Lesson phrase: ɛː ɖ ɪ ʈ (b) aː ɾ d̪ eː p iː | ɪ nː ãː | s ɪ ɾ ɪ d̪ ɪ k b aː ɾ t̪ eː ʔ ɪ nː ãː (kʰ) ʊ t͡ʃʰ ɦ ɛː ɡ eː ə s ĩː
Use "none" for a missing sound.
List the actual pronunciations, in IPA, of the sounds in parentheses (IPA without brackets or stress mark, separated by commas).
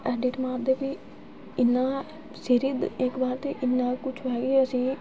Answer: m, k